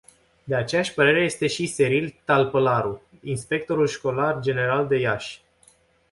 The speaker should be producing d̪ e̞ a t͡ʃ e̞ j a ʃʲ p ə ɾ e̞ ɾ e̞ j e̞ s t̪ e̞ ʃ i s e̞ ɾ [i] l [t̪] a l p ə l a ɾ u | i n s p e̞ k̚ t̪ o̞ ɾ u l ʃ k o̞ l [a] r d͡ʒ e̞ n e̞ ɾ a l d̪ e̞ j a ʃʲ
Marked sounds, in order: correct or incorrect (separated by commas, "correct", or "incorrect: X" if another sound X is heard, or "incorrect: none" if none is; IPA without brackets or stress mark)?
correct, correct, correct